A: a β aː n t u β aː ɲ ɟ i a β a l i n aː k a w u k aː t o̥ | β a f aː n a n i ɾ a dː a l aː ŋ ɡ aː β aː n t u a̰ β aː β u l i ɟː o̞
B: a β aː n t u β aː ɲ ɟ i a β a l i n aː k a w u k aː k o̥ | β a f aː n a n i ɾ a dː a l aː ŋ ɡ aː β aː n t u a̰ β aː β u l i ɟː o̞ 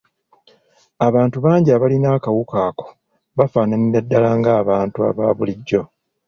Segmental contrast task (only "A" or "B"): B